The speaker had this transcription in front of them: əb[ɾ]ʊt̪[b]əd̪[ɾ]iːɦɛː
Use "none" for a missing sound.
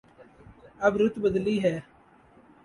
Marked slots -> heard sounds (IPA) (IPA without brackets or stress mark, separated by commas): ɾ, b, l